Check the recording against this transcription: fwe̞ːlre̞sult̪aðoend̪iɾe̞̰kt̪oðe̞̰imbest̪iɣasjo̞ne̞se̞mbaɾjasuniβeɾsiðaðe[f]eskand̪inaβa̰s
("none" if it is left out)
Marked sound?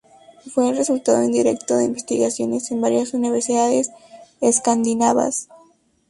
s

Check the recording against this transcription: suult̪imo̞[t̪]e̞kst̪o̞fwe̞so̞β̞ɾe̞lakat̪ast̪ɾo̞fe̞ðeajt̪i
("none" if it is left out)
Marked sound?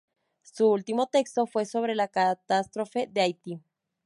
t̪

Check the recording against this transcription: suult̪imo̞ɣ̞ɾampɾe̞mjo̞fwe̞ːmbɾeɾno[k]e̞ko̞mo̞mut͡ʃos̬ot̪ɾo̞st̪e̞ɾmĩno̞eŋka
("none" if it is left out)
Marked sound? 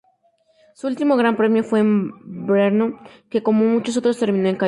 k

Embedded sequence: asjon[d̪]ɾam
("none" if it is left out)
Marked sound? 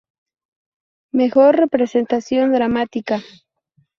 d̪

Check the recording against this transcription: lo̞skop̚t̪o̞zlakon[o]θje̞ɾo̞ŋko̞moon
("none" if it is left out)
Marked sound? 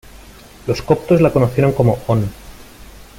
o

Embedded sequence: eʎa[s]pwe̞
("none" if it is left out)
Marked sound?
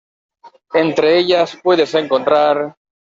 s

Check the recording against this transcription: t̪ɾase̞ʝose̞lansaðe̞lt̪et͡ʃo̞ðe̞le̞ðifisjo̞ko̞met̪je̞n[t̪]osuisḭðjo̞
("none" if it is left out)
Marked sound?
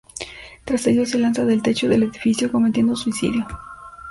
d̪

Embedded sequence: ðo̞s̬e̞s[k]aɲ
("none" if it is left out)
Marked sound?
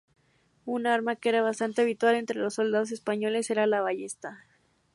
p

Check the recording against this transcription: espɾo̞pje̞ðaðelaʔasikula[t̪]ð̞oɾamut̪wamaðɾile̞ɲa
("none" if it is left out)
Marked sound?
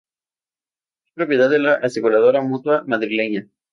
none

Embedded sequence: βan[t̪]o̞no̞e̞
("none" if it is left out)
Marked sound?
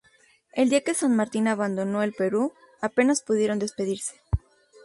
d̪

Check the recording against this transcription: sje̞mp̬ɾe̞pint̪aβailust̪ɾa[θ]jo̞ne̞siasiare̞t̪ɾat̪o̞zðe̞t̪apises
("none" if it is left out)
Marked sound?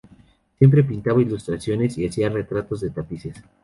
s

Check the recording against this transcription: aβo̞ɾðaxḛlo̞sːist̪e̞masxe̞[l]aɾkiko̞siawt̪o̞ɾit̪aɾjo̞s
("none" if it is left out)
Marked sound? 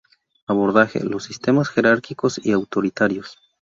ɾ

